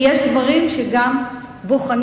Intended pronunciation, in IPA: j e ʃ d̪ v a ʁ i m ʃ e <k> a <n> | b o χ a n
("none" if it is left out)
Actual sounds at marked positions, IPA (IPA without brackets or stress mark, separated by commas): ɡ, m